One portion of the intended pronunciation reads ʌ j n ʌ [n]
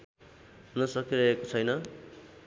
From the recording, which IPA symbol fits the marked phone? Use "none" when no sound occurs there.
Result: none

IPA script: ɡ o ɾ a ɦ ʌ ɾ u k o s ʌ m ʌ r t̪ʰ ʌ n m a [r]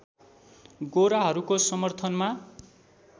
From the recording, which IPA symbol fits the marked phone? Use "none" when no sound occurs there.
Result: none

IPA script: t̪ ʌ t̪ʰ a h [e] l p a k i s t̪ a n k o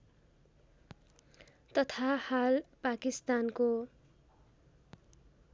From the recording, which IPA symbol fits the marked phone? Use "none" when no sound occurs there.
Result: a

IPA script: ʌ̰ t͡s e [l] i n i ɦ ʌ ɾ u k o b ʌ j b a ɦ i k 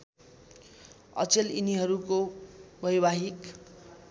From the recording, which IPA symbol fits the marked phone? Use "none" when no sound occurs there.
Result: l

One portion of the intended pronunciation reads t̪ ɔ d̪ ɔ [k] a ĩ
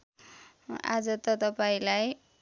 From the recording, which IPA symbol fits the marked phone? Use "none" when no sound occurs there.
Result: p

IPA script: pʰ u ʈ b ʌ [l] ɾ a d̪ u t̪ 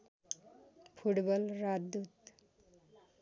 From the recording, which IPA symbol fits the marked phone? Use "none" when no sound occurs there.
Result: l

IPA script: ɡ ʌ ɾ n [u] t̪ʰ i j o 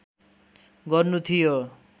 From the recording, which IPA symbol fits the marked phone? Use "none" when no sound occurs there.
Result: u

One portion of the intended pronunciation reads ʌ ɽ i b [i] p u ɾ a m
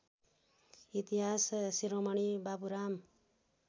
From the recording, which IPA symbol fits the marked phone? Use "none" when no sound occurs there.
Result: a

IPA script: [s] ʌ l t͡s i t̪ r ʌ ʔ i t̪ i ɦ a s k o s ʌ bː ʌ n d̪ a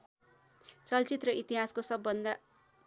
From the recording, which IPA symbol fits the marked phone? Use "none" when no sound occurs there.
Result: t͡s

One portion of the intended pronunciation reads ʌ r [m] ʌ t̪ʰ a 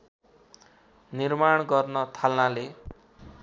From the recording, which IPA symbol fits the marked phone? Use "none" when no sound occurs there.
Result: n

